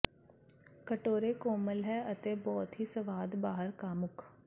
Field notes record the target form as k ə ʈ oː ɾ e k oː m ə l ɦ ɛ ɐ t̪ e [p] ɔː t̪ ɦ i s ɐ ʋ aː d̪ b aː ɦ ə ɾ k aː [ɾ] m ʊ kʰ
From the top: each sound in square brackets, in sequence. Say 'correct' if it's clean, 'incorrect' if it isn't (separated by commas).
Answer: incorrect, incorrect